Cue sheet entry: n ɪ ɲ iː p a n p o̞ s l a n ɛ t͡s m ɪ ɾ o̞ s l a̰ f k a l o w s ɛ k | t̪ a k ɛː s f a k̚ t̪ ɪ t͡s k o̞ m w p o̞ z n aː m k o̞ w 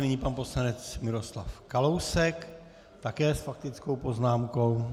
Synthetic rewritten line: n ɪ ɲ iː p a n p o̞ s l a n ɛ t͡s m ɪ ɾ o̞ s l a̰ f k a l o w s ɛ k | t̪ a k ɛː s f a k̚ t̪ ɪ t͡s k o̞ w p o̞ z n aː m k o̞ w